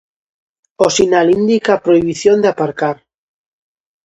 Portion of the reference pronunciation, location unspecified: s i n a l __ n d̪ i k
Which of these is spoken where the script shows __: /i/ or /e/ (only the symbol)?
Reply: i